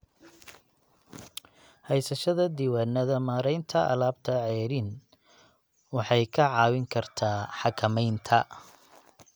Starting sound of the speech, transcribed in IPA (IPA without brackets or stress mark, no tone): h